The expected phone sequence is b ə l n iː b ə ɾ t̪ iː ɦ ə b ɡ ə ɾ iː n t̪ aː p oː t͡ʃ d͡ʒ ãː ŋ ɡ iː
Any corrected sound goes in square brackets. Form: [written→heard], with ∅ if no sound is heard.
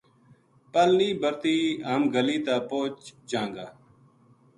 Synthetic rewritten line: [b→p] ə l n iː b ə ɾ t̪ iː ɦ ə [b→m] ɡ ə [ɾ→l] iː [n→∅] t̪ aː p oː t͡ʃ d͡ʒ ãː ŋ ɡ [iː→aː]